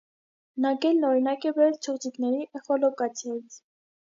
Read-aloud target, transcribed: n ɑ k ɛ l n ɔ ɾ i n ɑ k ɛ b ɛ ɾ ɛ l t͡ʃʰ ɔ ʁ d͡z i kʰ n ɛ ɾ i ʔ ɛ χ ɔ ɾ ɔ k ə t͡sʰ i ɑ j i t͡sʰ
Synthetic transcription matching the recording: n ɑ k ɛ l n ɔ ɾ i n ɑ k ɛ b ɛ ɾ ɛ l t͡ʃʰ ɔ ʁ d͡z i k n ɛ ɾ i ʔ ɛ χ ɔ l ɔ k ɑ t͡sʰ j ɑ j i t͡sʰ